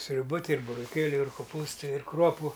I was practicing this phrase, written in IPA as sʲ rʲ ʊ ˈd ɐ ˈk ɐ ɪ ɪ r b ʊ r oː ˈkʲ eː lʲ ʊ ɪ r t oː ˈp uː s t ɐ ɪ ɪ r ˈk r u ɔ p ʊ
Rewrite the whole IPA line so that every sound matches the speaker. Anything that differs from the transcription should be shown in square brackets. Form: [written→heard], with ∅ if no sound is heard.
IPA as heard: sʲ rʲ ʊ [ˈd→ˈb] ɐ [ˈk→ˈt] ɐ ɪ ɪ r b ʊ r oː ˈkʲ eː lʲ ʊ ɪ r [t→k] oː ˈp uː s t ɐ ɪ ɪ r ˈk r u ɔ p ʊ